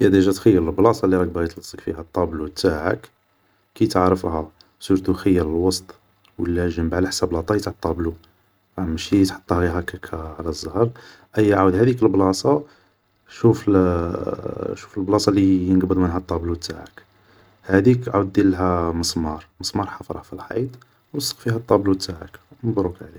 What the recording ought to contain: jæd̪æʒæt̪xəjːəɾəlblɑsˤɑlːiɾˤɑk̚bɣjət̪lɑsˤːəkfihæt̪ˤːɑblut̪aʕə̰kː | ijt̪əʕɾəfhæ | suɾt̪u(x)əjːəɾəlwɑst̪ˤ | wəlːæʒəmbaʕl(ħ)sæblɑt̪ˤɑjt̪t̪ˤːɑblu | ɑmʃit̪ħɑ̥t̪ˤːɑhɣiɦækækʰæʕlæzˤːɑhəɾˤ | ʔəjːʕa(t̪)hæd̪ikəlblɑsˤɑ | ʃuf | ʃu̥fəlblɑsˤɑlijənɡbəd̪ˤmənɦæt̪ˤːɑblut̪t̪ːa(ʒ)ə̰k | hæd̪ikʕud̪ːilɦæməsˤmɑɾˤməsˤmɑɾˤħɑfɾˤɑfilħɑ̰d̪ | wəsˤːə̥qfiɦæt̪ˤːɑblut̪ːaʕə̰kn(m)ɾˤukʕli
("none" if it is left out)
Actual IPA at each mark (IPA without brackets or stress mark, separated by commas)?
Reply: x, ħ, d̪, ʕ, b